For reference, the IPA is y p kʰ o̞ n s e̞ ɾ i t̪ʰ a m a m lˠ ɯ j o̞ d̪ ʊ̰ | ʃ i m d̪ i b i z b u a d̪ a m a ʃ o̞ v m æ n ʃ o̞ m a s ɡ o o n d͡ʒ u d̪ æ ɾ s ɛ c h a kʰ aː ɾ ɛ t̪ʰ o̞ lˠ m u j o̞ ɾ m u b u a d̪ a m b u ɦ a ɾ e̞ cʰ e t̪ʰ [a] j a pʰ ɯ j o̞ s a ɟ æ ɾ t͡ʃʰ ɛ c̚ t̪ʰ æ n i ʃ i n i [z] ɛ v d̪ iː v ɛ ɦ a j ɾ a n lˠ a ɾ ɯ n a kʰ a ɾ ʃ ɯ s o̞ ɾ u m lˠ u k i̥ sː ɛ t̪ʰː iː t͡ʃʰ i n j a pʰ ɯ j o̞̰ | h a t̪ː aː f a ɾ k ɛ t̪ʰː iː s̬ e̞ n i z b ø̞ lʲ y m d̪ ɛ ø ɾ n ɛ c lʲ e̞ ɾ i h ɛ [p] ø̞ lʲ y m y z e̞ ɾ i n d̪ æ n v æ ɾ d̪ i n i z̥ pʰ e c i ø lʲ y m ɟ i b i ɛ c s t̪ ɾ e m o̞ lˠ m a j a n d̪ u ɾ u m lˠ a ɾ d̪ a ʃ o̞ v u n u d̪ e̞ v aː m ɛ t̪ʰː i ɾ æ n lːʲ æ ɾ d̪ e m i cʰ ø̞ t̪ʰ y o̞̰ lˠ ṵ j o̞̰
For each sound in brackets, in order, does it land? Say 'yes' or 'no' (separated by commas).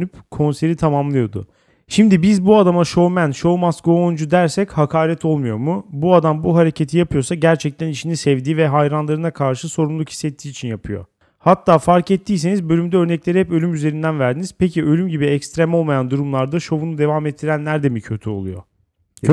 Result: no, no, yes